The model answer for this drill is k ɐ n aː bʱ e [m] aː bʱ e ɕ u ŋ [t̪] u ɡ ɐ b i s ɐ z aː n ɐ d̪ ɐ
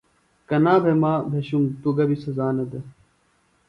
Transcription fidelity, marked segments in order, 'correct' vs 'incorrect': correct, correct

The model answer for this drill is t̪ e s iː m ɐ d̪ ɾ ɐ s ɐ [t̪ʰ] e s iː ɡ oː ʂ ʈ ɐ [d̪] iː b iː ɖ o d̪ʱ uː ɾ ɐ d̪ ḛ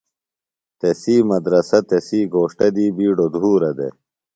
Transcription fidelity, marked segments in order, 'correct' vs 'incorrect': incorrect: t̪, correct

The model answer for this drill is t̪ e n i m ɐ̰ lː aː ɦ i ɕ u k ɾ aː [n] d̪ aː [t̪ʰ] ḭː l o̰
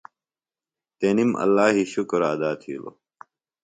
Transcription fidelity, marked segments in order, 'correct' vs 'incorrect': incorrect: none, correct

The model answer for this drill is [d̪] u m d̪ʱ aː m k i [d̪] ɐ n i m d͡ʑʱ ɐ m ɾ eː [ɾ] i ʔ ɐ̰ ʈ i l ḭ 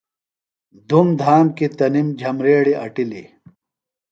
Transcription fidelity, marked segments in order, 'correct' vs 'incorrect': correct, incorrect: t̪, incorrect: ɽ

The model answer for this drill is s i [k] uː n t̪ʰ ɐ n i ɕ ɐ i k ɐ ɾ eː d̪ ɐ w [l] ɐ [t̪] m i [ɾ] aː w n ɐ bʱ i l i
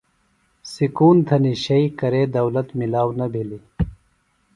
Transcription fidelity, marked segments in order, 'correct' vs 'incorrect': correct, correct, correct, incorrect: l

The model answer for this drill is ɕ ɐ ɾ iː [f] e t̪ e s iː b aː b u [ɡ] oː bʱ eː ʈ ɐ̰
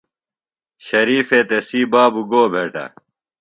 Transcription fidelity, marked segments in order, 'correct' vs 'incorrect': correct, correct

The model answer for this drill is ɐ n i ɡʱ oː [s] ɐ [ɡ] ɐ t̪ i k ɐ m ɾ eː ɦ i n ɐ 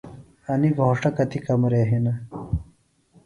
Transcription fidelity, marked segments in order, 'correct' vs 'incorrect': incorrect: ʂ, incorrect: k

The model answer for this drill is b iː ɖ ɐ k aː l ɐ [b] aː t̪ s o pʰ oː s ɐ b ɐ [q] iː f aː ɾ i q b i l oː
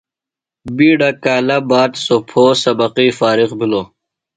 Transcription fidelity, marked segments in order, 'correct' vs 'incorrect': correct, correct

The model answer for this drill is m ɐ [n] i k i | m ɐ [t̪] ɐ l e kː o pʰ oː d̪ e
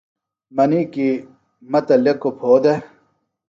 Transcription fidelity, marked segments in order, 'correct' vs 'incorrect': correct, correct

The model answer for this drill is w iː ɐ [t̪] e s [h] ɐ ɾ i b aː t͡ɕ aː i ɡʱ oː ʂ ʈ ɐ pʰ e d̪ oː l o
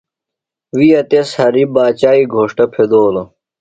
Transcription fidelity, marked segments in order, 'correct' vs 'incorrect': correct, correct

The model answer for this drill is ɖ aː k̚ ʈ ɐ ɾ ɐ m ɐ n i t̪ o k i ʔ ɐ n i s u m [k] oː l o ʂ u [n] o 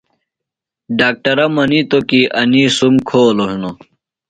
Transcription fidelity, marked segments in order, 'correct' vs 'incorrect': incorrect: kʰ, correct

